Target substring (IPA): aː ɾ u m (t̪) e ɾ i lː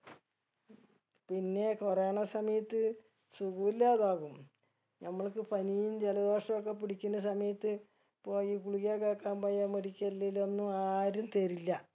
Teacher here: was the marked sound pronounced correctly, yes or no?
yes